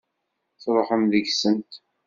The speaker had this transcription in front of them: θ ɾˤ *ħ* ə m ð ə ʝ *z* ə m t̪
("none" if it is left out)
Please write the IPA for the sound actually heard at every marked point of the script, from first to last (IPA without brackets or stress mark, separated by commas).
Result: ħ, s